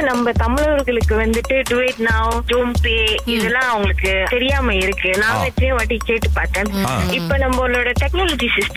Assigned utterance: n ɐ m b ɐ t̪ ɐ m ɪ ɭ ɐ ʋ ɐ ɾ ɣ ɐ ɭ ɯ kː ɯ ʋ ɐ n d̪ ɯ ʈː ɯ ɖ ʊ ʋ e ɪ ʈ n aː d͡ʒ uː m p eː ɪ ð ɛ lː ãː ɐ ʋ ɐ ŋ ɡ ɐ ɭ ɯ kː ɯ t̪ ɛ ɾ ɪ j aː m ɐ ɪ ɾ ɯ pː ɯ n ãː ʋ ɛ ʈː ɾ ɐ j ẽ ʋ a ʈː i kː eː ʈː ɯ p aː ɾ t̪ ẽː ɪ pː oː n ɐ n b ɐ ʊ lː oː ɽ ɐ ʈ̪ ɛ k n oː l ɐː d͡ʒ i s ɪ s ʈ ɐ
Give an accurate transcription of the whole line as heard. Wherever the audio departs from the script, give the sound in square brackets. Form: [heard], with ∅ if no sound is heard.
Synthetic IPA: n ɐ m b ɐ t̪ ɐ m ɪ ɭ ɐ ʋ ɐ ɾ ɣ ɐ ɭ ɯ kː ɯ ʋ ɐ n d̪ ɯ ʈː ɯ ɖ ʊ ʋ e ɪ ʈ n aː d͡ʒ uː m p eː ɪ ð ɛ lː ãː ɐ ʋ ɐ ŋ ɡ ɐ ɭ ɯ kː ɯ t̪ ɛ ɾ ɪ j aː m ɐ ɪ ɾ ɯ [kː] ɯ n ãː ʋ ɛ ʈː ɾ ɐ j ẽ ʋ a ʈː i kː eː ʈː ɯ p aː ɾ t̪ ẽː ɪ pː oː n ɐ [m] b ɐ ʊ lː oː ɽ ɐ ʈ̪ ɛ k n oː l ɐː d͡ʒ i s ɪ s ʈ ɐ